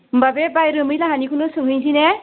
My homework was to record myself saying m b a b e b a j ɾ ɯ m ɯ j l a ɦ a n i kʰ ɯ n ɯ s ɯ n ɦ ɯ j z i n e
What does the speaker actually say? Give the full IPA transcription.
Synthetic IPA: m b a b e b a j ɾ ɯ m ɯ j l a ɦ a n i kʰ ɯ n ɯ s ɯ ŋ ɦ ɯ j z i n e

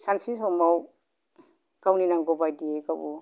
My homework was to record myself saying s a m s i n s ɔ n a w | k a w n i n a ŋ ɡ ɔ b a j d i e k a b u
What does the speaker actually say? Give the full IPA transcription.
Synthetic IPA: s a n s i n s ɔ m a w | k a w n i n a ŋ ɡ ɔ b a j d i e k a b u

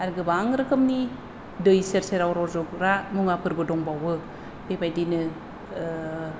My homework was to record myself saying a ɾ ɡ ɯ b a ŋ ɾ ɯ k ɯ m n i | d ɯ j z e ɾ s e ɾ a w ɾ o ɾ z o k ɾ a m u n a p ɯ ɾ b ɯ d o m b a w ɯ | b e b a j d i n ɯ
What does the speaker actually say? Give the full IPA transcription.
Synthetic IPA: a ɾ ɡ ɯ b a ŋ ɾ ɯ k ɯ m n i | d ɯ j s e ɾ s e ɾ a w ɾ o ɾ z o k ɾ a m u ŋ a p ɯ ɾ b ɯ d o ŋ b a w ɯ | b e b a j d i n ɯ

